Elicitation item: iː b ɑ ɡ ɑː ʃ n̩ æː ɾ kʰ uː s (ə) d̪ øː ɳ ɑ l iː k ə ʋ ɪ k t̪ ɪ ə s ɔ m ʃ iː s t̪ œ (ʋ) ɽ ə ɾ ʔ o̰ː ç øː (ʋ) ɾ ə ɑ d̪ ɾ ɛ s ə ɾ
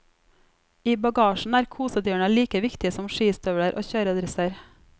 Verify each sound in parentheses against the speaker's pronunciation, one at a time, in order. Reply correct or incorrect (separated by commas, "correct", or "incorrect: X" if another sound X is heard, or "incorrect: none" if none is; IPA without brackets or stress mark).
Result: correct, correct, incorrect: none